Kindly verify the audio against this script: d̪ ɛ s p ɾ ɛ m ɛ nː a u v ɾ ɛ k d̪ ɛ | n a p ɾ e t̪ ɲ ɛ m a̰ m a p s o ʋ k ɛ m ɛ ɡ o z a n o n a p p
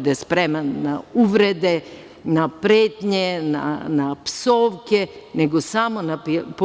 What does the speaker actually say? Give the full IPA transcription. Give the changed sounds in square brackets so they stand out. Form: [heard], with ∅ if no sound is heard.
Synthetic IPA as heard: d̪ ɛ s p ɾ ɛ m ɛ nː a u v ɾ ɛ [∅] d̪ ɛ | n a p ɾ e t̪ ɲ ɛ [n] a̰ [n] a p s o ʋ k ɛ [n] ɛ ɡ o [s] a [m] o n a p p